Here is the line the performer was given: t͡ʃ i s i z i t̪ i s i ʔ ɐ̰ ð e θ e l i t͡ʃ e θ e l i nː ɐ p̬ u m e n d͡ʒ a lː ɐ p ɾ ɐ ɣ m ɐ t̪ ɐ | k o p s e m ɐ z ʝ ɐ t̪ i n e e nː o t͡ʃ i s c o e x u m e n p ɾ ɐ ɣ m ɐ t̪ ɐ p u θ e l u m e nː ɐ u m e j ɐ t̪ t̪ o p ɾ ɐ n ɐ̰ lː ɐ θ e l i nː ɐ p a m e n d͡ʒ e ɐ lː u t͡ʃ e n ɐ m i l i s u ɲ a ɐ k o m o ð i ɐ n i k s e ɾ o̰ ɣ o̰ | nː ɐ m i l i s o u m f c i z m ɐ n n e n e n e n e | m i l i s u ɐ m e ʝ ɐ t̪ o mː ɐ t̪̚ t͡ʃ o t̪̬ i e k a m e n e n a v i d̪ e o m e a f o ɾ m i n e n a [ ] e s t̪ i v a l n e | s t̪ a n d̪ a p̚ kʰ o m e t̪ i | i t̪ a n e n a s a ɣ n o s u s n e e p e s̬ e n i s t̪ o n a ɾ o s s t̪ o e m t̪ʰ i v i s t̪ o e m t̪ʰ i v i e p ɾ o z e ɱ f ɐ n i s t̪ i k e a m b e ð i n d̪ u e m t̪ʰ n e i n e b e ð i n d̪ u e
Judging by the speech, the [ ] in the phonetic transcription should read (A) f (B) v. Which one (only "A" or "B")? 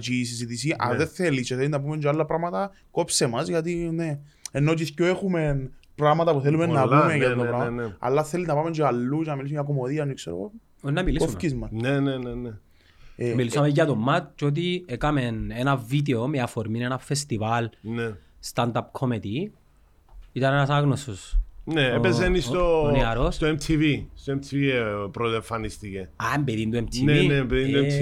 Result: A